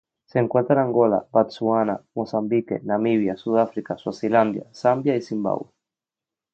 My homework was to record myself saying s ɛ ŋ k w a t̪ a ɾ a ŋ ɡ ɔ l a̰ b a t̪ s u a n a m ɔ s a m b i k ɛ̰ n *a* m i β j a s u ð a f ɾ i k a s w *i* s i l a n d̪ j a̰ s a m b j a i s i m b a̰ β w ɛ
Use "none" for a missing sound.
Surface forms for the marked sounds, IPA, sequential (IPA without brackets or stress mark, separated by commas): a, a